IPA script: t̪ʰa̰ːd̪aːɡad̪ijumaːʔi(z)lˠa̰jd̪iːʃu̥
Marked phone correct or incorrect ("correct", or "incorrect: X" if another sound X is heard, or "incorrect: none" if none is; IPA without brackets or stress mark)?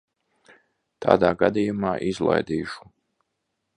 correct